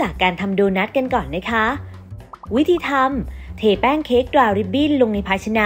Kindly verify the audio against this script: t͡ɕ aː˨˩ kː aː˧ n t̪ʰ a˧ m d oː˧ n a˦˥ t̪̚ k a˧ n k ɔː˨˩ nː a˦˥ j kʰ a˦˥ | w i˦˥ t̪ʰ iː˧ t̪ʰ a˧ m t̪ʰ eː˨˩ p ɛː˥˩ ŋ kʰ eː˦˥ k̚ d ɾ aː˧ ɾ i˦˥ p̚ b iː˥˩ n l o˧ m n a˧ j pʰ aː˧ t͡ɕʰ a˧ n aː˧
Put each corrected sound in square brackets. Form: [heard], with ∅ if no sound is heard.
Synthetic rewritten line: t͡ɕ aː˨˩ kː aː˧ n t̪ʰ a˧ m d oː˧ n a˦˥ t̪̚ k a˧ n k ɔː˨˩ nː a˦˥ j kʰ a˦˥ | w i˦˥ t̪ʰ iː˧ t̪ʰ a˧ m t̪ʰ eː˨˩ p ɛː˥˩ ŋ kʰ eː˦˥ k̚ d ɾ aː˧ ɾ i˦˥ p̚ b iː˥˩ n l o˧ [ŋ] n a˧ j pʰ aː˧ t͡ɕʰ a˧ n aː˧

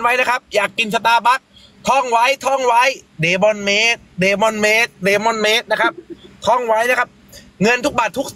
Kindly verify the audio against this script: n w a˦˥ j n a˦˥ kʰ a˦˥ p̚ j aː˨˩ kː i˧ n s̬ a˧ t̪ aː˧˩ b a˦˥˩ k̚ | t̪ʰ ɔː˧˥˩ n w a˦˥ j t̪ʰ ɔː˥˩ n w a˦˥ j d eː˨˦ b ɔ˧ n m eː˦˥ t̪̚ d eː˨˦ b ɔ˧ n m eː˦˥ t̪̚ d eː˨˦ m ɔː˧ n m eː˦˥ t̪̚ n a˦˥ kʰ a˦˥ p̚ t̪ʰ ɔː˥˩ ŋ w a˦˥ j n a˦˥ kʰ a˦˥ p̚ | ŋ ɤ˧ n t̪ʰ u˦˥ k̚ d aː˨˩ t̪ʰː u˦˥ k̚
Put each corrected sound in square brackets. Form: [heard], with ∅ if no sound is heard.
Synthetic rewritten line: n w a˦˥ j n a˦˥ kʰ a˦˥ p̚ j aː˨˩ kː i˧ n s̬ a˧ t̪ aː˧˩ b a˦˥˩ k̚ | t̪ʰ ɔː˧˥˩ [ŋ] w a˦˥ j t̪ʰ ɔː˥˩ [ŋ] w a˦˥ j d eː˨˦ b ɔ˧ n m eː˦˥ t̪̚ d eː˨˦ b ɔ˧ n m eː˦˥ t̪̚ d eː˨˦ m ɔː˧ n m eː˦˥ t̪̚ n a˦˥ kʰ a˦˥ p̚ t̪ʰ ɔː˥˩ ŋ w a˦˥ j n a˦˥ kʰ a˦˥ p̚ | ŋ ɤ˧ n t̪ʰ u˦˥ k̚ [b] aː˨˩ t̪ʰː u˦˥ k̚

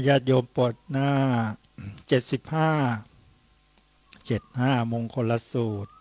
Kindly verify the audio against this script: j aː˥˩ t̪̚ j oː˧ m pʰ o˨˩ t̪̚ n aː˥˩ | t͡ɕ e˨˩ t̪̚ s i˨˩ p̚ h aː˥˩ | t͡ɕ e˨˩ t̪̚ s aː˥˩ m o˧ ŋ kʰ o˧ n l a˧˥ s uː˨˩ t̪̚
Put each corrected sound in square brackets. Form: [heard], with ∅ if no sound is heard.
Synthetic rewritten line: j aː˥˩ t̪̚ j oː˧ m [p] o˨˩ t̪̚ n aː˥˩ | t͡ɕ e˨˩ t̪̚ s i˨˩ p̚ h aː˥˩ | t͡ɕ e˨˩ t̪̚ [h] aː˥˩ m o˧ ŋ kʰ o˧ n l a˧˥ s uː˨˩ t̪̚

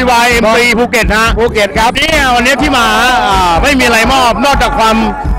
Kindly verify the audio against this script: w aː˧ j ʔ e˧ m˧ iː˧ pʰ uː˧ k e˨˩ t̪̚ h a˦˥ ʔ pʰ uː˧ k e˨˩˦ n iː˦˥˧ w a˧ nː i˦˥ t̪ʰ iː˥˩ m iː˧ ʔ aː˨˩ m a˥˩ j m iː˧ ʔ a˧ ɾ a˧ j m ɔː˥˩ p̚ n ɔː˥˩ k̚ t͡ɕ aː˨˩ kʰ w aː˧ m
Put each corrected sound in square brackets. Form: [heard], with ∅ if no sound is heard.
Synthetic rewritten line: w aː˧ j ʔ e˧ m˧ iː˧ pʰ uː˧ k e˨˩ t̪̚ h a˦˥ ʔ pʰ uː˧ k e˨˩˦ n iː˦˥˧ w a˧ nː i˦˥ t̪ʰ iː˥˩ m [aː˧] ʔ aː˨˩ m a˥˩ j m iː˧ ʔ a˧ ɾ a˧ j m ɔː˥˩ p̚ n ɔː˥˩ k̚ t͡ɕ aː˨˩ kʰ w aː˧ m

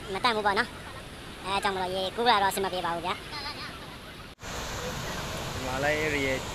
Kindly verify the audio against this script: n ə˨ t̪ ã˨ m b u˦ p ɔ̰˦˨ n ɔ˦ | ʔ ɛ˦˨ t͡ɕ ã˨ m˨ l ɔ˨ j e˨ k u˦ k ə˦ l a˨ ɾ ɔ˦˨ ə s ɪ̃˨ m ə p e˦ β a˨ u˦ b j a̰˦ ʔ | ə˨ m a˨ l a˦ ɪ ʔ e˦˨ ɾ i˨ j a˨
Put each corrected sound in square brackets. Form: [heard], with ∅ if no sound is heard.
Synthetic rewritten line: [m] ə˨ t̪ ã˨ m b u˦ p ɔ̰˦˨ n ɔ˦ | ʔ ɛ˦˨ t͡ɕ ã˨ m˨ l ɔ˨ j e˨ k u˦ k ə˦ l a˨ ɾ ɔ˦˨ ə s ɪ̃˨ m ə p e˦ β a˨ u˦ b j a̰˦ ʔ | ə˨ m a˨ l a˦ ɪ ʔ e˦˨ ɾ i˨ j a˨

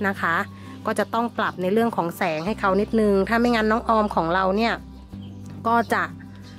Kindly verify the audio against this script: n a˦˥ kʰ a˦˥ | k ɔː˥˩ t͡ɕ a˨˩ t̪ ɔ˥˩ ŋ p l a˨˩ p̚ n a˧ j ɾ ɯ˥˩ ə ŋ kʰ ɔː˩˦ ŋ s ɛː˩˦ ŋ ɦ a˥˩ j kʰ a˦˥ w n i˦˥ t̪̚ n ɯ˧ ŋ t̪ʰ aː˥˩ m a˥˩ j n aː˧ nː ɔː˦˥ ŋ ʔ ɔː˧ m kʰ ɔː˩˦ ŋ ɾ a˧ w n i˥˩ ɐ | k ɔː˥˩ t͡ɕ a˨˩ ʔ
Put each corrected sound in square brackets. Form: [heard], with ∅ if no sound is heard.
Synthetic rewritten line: n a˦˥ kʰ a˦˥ | k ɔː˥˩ t͡ɕ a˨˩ t̪ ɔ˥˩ ŋ p l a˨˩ p̚ n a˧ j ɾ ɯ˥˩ ə ŋ kʰ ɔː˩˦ ŋ s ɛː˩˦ ŋ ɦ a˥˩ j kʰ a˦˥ w n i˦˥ t̪̚ n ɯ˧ ŋ t̪ʰ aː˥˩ m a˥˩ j [ŋ] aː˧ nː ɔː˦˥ ŋ ʔ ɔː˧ m kʰ ɔː˩˦ ŋ ɾ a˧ w n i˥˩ ɐ | k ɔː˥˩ t͡ɕ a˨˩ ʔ

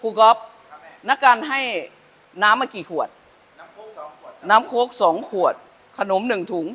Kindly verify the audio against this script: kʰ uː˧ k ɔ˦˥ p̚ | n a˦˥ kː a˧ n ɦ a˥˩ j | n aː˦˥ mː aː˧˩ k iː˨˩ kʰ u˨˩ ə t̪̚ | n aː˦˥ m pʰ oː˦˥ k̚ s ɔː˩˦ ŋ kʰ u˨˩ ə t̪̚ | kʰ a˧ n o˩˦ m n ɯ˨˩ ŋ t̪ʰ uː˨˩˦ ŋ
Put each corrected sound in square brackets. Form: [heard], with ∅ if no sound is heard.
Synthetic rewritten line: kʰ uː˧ k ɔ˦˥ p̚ | n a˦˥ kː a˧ n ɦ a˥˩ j | n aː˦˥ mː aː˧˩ k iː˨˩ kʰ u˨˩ ə t̪̚ | n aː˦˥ m [kʰ] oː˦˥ k̚ s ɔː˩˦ ŋ kʰ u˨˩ ə t̪̚ | kʰ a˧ n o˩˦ m n ɯ˨˩ ŋ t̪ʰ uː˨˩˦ ŋ

